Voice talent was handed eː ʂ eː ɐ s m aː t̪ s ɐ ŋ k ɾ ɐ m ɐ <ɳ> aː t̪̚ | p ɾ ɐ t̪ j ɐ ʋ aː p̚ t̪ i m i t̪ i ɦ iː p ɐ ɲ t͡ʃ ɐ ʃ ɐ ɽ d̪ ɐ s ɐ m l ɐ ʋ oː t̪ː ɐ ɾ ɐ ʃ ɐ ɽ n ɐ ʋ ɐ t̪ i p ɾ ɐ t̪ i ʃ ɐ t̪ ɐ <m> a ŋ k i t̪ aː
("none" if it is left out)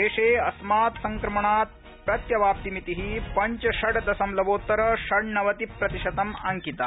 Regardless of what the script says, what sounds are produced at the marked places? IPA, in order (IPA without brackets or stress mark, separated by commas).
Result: ɳ, m